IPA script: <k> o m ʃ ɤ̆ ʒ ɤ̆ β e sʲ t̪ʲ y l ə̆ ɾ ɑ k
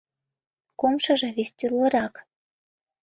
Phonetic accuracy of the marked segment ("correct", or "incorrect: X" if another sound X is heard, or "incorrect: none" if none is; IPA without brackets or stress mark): correct